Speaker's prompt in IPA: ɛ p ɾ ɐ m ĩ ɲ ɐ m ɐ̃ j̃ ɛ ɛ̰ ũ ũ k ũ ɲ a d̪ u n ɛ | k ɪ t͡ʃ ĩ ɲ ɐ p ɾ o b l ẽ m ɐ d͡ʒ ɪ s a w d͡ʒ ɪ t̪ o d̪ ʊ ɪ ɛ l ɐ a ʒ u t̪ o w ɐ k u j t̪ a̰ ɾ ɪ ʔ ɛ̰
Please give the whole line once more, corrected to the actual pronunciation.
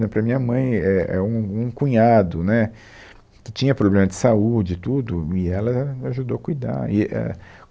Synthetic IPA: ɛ p ɾ ɐ m ĩ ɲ ɐ m ɐ̃ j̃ ɛ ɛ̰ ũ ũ k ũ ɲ a d̪ ʊ n ɛ | k ɪ t͡ʃ ĩ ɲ ɐ p ɾ o b l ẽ m ɐ d͡ʒ ɪ s a u d͡ʒ ɪ t̪ u d̪ ʊ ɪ ɛ l ɐ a ʒ u d̪ o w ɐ k u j d̪ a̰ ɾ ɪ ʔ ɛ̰

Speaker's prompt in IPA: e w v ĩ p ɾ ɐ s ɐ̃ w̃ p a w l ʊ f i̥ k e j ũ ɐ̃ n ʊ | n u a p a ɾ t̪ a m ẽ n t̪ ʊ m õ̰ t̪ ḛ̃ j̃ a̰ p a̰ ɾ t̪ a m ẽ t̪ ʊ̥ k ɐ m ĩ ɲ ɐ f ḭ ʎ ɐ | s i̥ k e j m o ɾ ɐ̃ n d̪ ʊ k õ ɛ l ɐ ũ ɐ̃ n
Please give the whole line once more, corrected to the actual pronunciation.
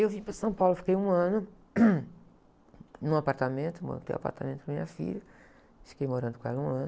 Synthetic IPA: e w v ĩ p ɾ ɐ s ɐ̃ w̃ p a w l ʊ f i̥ k e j ũ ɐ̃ n ʊ | n ũ a p a ɾ t̪ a m ẽ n t̪ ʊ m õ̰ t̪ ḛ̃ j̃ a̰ p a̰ ɾ t̪ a m ẽ t̪ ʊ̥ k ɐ m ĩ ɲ ɐ f ḭ ʎ ɐ | f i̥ k e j m o ɾ ɐ̃ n d̪ ʊ k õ ɛ l ɐ ũ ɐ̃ n

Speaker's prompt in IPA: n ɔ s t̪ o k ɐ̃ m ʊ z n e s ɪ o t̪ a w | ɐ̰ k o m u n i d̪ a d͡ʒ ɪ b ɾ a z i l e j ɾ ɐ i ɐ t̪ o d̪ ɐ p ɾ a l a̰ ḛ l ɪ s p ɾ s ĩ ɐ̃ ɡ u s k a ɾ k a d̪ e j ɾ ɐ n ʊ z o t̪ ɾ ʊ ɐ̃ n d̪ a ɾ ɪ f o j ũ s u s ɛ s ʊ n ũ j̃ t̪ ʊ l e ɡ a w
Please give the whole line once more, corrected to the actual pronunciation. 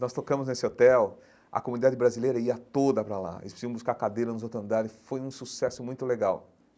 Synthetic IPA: n ɔ s t̪ o k ɐ̃ m ʊ z n e s ɪ o t̪ ɛ w | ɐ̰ k o m u n i d̪ a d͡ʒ ɪ b ɾ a z i l e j ɾ ɐ i ɐ t̪ o d̪ ɐ p ɾ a l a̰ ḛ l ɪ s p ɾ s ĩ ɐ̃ b u s k a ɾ k a d̪ e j ɾ ɐ n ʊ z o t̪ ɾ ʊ ɐ̃ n d̪ a ɾ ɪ f o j ũ s u s ɛ s ʊ m ũ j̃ t̪ ʊ l e ɡ a w

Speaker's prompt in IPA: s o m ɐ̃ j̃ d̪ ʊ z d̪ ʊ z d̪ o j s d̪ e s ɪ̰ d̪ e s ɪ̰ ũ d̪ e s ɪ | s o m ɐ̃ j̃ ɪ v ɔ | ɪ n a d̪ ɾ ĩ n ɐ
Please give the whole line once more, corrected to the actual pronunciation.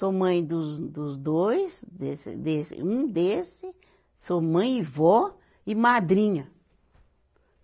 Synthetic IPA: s o m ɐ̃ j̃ d̪ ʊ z d̪ ʊ z d̪ o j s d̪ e s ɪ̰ d̪ e s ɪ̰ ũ d̪ e s ɪ | s o m ɐ̃ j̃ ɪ v ɔ | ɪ m a d̪ ɾ ĩ ɲ ɐ

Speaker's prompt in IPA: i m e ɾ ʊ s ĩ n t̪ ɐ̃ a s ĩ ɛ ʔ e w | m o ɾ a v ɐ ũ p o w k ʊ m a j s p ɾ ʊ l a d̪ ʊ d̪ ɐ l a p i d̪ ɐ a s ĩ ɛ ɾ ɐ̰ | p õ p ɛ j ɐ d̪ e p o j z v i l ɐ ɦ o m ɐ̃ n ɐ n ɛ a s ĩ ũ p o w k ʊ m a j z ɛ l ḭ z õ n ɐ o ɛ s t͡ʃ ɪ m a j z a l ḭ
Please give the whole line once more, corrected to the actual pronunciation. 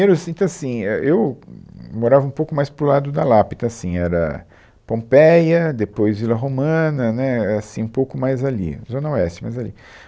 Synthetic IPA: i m e ɾ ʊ s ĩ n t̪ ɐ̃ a s ĩ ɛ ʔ e w | m o ɾ a v ɐ ũ p o w k ʊ m a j s p ɾ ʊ l a d̪ ʊ d̪ ɐ l a p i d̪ ɐ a s ĩ ɛ ɾ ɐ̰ | p õ p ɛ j ɐ d̪ e p o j z v i l ɐ ɦ o m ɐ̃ n ɐ n ɛ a s ĩ ũ p o w k ʊ m a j z a l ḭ z õ n ɐ o ɛ s t͡ʃ ɪ m a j z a l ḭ

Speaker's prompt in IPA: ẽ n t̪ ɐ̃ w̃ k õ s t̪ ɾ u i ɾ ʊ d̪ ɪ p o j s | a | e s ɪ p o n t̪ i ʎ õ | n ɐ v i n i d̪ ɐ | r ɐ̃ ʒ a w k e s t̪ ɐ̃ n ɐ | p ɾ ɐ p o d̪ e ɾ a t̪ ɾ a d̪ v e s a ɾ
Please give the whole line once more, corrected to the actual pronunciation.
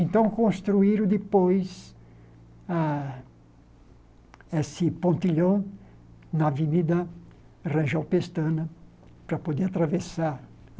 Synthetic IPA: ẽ n t̪ ɐ̃ w̃ k õ s t̪ ɾ u i ɾ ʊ d̪ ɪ p o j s | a | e s ɪ p õ n t̪ i ʎ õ | n ɐ v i n i d̪ ɐ | r ɐ̃ ʒ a w p e s t̪ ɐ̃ n ɐ | p ɾ ɐ p o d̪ e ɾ a t̪ ɾ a v e s a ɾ

